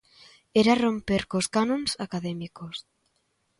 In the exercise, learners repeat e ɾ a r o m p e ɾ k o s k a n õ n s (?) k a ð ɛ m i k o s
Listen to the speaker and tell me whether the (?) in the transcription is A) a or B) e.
A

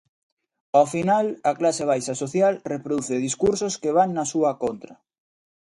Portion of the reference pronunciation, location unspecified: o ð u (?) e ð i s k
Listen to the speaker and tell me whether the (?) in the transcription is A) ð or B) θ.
B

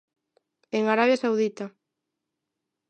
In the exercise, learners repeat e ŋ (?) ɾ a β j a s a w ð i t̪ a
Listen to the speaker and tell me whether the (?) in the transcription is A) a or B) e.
A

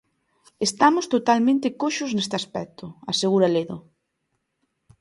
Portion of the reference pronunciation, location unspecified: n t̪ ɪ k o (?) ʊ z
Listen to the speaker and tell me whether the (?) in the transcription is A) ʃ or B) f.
A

